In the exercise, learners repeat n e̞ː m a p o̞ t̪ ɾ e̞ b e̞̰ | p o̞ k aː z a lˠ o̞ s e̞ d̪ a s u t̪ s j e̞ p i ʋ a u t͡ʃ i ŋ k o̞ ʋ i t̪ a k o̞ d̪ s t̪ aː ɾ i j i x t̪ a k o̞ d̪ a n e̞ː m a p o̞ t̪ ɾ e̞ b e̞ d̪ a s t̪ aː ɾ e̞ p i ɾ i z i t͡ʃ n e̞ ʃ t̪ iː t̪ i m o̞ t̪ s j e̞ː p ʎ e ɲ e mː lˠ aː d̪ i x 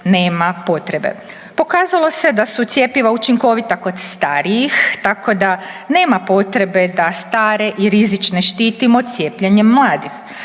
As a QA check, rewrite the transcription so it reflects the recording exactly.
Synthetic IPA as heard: n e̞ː m a p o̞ t̪ ɾ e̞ b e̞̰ | p o̞ k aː z a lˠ o̞ s e̞ d̪ a s u t̪ s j e̞ p i ʋ a u t͡ʃ i ŋ k o̞ ʋ i t̪ a k o̞ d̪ s t̪ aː ɾ i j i x t̪ a k o̞ d̪ a n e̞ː m a p o̞ t̪ ɾ e̞ b e̞ d̪ a s t̪ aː ɾ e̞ ʔ i ɾ i z i t͡ʃ n e̞ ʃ t̪ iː t̪ i m o̞ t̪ s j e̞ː p ʎ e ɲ e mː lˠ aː d̪ i x

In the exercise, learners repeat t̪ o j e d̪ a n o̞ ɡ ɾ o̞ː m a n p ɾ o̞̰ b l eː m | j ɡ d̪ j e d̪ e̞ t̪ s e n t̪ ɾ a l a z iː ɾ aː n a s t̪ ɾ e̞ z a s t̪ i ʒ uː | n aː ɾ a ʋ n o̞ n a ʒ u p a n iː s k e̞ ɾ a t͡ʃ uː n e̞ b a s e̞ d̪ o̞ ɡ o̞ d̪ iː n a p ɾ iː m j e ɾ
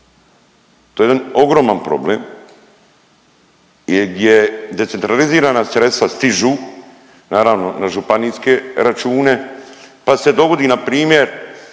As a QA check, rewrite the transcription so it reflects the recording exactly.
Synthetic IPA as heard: t̪ o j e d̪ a n o̞ ɡ ɾ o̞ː m a n p ɾ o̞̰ b l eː m | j ɡ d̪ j e d̪ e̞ t̪ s e n t̪ ɾ a l i z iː ɾ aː n a s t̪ ɾ e̞ s a s t̪ i ʒ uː | n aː ɾ a ʋ n o̞ n a ʒ u p a n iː s k e̞ ɾ a t͡ʃ uː n e̞ p a s e̞ d̪ o̞ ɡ o̞ d̪ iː n a p ɾ iː m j e ɾ

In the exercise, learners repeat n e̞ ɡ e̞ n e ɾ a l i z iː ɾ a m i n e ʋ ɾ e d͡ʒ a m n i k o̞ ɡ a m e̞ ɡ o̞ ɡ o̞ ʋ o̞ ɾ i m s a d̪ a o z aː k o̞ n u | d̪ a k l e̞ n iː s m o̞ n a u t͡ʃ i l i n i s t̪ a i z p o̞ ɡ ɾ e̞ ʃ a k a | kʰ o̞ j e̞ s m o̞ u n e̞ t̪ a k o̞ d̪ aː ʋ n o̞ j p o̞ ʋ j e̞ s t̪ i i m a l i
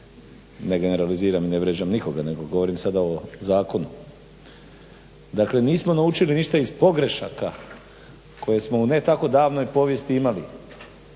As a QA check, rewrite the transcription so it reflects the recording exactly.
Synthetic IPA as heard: n e̞ ɡ e̞ n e ɾ a l i z iː ɾ a m i n e ʋ ɾ e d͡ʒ a m n i k o̞ ɡ a n e̞ ɡ o̞ ɡ o̞ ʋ o̞ ɾ i m s a d̪ a o z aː k o̞ n u | d̪ a k l e̞ n iː s m o̞ n a u t͡ʃ i l i n i ʃ t̪ a i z p o̞ ɡ ɾ e̞ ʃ a k a | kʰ o̞ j e̞ s m o̞ u n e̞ t̪ a k o̞ d̪ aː ʋ n o̞ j p o̞ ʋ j e̞ s t̪ i i m a l i

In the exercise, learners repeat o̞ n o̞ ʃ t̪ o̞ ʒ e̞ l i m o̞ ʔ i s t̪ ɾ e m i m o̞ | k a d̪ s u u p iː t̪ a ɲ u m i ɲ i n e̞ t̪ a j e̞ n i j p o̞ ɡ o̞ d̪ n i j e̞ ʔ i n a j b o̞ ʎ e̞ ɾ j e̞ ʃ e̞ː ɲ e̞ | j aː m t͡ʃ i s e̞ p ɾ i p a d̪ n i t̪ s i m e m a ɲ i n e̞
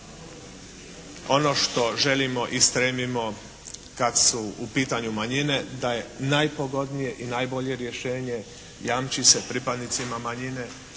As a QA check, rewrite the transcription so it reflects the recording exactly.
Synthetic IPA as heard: o̞ n o̞ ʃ t̪ o̞ ʒ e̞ l i m o̞ ʔ i s t̪ ɾ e m i m o̞ | k a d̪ s u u p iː t̪ a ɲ u m a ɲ i n e̞ d̪ a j e̞ n a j p o̞ ɡ o̞ d̪ n i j e̞ ʔ i n a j b o̞ ʎ e̞ ɾ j e̞ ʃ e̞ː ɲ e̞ | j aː m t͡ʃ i s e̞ p ɾ i p a d̪ n i t̪ s i m a m a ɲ i n e̞

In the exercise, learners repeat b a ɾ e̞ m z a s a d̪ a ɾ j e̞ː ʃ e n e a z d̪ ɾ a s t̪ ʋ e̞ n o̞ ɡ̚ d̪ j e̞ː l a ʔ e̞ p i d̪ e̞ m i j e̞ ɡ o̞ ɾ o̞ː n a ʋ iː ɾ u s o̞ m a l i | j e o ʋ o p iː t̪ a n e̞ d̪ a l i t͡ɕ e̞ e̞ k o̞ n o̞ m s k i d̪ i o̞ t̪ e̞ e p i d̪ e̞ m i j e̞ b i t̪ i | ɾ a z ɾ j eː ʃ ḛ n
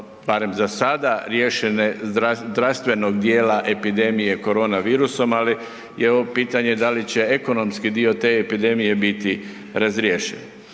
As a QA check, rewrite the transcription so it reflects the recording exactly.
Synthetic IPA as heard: b a ɾ e̞ m z a s a d̪ a ɾ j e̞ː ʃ e n e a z d̪ ɾ a s t̪ ʋ e̞ n o̞ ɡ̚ d̪ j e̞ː l a ʔ e̞ p i d̪ e̞ m i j e̞ k o̞ ɾ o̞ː n a ʋ iː ɾ u s o̞ m a l i | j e o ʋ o p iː t̪ a ɲ e̞ d̪ a l i t͡ɕ e̞ e̞ k o̞ n o̞ m s k i d̪ i o̞ t̪ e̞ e p i d̪ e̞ m i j e̞ b i t̪ i | ɾ a z ɾ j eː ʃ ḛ n

